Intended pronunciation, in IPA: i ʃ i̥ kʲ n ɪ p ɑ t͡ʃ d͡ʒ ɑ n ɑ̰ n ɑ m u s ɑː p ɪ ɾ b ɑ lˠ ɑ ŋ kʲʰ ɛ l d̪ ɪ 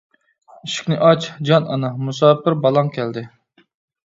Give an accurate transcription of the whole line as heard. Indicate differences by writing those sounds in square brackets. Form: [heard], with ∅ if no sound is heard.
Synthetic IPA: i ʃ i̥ kʲ n ɪ [ʔ] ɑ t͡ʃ d͡ʒ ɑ n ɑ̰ n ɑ m u s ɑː p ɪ ɾ b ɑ lˠ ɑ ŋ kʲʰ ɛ l d̪ ɪ